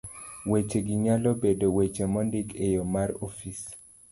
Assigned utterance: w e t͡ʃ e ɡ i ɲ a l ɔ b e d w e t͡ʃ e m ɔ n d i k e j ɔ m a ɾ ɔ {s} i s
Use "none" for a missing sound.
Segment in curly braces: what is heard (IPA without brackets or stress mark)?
f